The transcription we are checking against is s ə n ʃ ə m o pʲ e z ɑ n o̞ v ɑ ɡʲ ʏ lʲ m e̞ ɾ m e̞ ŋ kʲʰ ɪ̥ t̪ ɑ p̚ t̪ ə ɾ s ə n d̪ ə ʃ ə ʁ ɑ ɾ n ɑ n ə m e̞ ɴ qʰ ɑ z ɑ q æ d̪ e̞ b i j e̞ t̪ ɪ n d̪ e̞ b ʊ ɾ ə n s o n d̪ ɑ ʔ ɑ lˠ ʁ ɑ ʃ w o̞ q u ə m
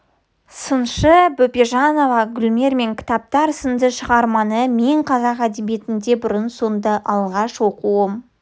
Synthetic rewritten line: s ə n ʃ ə b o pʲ e ʒ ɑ n o̞ v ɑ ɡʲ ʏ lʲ m e̞ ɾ m e̞ ŋ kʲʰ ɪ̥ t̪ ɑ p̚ t̪ ɑ ɾ s ə n d̪ ə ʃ ə ʁ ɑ ɾ m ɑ n ə m e̞ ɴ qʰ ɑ z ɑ q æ d̪ e̞ b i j e̞ t̪ ɪ n d̪ e̞ b ʊ ɾ ə n s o n d̪ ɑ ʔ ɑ lˠ ʁ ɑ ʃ w o̞ q u ə m